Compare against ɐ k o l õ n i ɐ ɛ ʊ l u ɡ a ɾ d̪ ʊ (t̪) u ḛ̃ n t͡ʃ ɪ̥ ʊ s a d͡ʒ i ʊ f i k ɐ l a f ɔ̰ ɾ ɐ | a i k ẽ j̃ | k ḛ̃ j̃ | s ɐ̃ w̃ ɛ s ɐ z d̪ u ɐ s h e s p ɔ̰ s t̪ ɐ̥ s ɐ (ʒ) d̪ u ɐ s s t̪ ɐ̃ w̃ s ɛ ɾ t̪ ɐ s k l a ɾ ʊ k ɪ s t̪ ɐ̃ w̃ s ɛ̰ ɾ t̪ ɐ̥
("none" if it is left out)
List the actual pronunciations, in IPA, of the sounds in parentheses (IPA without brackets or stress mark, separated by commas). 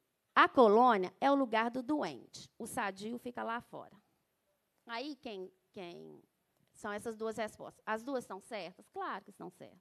d̪, z